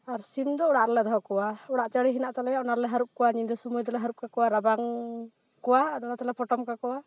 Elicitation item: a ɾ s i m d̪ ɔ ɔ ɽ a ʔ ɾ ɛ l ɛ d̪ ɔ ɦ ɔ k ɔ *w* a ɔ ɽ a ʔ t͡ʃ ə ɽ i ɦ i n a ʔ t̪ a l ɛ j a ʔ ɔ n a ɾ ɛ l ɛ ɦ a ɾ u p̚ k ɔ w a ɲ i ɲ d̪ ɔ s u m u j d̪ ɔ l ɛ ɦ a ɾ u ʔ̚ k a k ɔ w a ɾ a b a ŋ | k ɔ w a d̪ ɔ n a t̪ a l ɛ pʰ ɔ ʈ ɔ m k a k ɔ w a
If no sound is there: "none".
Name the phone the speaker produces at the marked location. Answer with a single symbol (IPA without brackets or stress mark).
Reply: w